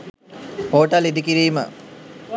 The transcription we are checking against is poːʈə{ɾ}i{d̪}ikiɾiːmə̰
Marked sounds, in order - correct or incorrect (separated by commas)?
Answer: incorrect, correct